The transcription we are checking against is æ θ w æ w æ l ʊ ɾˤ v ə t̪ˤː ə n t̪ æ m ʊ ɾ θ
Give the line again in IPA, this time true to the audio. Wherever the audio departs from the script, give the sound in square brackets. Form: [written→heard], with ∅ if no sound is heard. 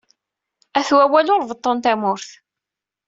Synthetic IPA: æ θ w æ w æ l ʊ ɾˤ v ə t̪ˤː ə n t̪ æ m ʊ ɾ θ